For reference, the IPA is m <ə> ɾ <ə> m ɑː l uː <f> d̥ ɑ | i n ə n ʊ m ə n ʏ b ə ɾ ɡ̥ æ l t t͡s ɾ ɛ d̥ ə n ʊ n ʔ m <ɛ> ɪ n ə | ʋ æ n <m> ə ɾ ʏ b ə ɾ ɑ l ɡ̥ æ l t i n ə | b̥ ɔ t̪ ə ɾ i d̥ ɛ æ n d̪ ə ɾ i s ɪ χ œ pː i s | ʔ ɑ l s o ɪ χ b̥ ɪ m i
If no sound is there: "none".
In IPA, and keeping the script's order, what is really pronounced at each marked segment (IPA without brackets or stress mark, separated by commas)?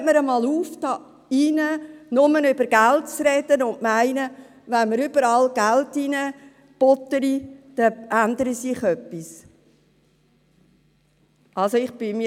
ə, ə, f, æ, m